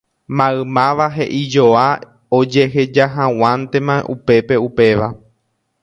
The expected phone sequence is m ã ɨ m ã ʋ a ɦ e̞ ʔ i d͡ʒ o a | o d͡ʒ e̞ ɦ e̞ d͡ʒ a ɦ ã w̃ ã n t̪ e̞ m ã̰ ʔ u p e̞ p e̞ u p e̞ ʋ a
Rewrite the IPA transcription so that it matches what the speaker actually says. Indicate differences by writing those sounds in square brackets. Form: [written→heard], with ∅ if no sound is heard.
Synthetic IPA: m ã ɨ m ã ʋ a ɦ e̞ ʔ i d͡ʒ o a | o d͡ʒ e̞ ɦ e̞ d͡ʒ a ɦ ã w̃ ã n t̪ e̞ m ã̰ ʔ u p e̞ p e̞ u p e̞ ʋ a